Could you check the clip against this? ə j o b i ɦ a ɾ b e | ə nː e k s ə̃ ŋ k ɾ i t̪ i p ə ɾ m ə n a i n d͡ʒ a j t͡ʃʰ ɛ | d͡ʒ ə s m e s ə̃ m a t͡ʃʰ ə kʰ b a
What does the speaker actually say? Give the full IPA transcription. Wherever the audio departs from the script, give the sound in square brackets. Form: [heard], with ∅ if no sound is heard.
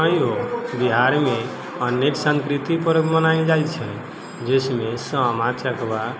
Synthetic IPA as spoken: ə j o b i ɦ a ɾ [m] e | ə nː e k s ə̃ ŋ k ɾ i t̪ i p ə ɾ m ə n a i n d͡ʒ a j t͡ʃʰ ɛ | d͡ʒ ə s m e s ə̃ m a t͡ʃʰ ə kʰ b a